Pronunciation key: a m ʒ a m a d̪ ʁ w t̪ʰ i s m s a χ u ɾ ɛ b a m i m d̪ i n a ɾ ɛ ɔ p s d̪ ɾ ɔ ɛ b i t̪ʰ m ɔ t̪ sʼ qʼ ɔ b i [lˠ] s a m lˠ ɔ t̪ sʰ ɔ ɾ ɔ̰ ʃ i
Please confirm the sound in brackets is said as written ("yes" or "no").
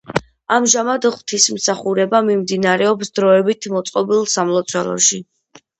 yes